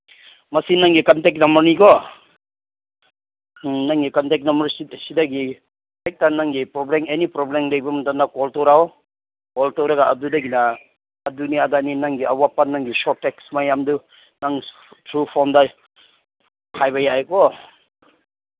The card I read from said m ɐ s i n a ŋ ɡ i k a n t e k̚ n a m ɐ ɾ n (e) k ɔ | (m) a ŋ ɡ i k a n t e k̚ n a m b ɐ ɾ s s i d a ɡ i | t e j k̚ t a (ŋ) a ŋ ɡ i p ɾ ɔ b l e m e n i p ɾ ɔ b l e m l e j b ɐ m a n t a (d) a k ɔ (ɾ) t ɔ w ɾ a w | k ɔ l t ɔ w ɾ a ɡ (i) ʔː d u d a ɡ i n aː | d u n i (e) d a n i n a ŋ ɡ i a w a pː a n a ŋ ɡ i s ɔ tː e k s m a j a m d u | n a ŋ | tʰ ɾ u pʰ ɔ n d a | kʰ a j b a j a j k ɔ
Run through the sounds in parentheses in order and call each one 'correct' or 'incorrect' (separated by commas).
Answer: incorrect, incorrect, incorrect, incorrect, incorrect, incorrect, incorrect